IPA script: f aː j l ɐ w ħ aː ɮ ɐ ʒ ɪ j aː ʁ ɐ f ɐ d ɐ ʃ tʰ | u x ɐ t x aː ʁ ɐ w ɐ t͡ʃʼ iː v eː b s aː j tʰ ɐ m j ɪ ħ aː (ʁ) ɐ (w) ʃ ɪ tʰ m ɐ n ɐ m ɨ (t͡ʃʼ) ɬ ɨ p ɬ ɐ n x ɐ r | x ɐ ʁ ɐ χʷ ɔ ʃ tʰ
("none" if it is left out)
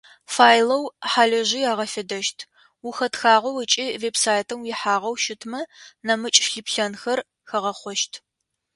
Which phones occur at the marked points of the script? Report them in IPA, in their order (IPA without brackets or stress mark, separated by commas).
ʁ, w, t͡ʃʼ